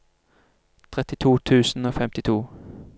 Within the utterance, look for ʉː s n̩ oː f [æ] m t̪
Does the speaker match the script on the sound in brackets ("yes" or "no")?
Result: no